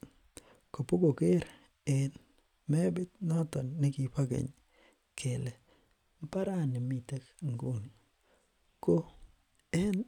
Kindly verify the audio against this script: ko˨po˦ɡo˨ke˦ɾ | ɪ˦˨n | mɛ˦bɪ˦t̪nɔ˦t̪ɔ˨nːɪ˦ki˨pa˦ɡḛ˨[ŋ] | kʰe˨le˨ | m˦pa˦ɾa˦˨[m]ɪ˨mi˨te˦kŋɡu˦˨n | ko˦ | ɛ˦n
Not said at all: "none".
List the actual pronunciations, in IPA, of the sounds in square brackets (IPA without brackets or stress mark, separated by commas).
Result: ɲ, n